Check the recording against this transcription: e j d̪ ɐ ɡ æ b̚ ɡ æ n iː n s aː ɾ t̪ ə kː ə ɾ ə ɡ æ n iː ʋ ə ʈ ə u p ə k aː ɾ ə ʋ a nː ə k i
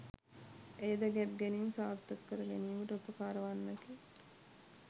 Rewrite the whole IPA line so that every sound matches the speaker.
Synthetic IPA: e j d̪ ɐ ɡ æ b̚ ɡ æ n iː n s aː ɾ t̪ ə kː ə ɾ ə ɡ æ n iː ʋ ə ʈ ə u p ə k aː ɾ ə ʋ a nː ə k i